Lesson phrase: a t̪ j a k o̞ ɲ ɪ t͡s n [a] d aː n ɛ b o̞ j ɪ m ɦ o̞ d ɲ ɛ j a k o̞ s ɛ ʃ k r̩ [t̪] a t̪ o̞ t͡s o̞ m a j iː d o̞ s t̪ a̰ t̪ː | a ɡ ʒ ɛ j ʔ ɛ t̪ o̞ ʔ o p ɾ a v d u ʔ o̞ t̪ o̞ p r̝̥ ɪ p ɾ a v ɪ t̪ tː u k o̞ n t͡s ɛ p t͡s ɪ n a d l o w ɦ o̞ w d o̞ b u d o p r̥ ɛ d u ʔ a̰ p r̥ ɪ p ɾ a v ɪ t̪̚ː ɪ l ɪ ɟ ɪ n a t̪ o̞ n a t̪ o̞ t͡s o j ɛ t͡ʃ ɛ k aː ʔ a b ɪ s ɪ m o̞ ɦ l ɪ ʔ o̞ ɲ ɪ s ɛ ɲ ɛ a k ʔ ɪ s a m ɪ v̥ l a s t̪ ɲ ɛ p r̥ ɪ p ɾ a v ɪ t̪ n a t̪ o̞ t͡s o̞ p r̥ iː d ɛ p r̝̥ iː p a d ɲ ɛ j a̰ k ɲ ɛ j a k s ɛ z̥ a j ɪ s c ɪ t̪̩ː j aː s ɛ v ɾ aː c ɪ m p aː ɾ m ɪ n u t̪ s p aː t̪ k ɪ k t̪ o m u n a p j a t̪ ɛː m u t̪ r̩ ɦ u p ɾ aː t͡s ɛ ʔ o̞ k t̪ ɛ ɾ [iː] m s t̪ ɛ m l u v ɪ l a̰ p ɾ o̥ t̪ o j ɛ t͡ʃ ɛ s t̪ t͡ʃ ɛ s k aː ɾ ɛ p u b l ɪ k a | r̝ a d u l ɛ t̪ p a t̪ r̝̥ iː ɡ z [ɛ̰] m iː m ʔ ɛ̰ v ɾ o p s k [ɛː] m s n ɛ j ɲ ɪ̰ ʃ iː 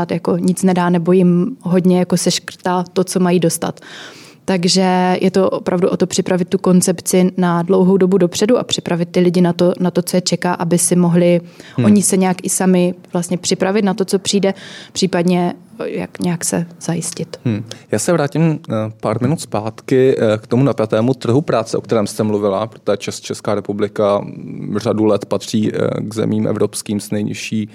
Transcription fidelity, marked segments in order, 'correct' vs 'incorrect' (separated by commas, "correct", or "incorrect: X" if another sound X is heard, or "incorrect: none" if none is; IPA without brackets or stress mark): incorrect: ɛ, correct, incorrect: ɛː, correct, incorrect: iː